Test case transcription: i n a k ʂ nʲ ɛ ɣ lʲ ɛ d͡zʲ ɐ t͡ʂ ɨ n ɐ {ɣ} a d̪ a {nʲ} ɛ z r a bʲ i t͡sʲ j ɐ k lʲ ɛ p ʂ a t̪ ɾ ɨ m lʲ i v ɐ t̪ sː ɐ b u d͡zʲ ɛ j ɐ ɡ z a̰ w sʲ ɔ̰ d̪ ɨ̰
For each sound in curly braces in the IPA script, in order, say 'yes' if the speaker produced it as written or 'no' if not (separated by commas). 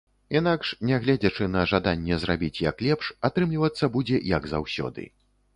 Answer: no, no